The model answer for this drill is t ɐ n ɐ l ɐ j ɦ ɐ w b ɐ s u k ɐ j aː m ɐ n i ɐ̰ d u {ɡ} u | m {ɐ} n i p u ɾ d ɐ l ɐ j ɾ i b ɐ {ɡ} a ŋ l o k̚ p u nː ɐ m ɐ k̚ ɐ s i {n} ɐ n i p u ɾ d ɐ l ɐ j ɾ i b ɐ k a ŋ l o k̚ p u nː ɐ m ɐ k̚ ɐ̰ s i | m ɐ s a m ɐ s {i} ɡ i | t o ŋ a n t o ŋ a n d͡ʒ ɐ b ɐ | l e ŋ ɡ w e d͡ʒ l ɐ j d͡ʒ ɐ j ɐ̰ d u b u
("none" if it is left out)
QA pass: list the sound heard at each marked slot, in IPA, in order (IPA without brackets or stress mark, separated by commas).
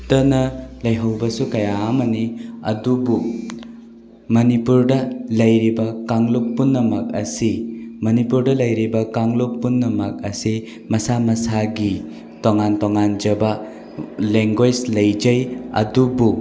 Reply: b, ɐ, k, m, a